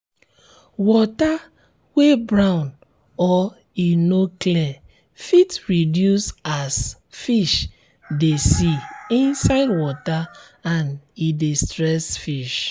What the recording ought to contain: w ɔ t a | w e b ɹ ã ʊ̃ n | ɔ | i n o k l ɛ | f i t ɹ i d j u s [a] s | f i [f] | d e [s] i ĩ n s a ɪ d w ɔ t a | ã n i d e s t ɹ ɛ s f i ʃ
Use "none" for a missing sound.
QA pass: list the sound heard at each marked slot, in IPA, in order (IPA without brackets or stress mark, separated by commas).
a, ʃ, s